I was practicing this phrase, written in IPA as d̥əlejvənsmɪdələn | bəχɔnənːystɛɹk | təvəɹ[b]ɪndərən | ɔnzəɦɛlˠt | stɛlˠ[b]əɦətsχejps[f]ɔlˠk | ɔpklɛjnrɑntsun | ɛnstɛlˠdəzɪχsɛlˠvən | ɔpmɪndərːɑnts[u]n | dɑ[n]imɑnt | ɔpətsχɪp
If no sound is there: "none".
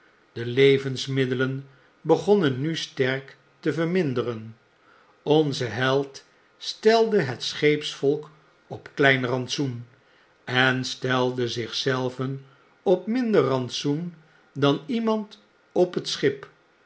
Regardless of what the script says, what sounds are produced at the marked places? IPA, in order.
m, d, f, u, n

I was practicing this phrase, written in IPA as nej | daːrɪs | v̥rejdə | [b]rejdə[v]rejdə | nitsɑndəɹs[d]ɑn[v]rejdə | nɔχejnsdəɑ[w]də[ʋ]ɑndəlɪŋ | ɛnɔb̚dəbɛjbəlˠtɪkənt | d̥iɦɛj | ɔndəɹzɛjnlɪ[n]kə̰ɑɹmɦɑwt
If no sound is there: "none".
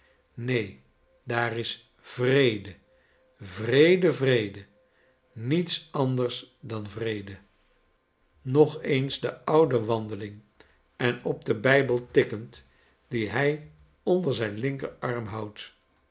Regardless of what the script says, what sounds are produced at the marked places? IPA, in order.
v, v, d, v, w, ʋ, ŋ

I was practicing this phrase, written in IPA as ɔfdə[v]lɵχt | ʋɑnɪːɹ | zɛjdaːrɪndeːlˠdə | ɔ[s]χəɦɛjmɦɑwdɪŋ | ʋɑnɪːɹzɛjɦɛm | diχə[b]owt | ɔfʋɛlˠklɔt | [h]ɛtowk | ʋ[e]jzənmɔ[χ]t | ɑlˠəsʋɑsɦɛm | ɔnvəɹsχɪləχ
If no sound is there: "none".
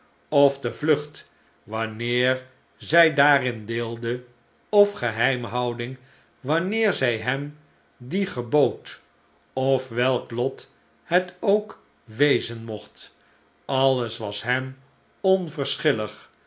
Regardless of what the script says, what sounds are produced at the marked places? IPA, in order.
v, f, b, h, e, χ

